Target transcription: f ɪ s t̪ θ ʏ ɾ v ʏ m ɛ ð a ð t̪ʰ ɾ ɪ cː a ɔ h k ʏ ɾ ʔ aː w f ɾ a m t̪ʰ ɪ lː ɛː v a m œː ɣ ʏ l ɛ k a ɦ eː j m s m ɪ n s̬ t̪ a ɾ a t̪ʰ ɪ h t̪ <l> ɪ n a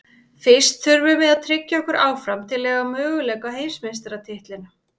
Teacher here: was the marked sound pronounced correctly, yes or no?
yes